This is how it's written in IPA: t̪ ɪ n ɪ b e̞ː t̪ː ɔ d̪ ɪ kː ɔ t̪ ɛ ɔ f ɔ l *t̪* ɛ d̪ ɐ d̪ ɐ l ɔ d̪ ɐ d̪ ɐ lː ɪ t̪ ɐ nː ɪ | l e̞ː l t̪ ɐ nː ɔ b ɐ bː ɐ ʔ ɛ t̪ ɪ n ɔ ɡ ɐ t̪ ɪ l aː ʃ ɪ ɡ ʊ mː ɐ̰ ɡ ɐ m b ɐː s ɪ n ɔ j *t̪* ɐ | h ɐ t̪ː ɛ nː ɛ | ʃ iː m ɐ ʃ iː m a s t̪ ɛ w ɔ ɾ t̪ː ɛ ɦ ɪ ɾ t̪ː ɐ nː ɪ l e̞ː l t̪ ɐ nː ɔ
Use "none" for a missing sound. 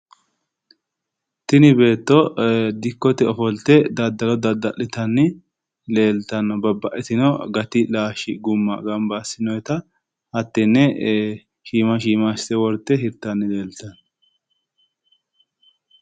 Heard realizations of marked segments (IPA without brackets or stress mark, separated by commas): t̪, t̪